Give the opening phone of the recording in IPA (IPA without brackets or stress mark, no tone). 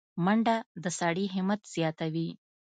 m